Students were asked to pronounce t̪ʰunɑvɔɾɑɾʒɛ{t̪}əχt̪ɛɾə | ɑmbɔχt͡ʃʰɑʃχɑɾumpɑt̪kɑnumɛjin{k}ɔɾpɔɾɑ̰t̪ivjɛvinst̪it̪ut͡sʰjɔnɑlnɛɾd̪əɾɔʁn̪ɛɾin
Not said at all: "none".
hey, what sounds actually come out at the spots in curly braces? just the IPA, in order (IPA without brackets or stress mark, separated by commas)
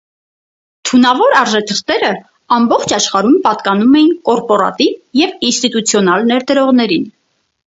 t̪ʰ, k